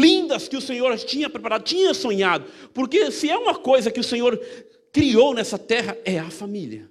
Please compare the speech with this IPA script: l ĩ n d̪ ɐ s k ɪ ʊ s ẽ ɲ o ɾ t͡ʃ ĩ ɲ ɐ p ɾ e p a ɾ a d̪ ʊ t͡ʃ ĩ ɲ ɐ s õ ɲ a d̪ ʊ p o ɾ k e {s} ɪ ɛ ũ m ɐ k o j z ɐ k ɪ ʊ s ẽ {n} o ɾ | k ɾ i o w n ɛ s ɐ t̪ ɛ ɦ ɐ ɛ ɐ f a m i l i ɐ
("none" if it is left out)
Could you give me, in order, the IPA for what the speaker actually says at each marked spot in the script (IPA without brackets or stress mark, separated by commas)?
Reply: s, ɲ